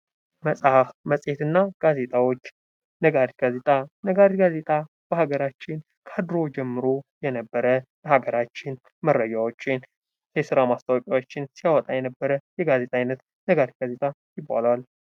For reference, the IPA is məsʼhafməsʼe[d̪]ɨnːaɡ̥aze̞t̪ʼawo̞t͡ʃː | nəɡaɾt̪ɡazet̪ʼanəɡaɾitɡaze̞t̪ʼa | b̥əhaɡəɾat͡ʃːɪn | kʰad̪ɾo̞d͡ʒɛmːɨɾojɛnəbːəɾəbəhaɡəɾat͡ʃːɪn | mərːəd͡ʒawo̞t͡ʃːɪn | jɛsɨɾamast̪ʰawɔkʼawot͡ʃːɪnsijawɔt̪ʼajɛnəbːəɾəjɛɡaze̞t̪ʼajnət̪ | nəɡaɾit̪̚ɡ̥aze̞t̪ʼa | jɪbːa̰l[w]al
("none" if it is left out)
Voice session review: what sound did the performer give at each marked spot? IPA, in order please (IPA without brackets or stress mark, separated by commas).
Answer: t̪, w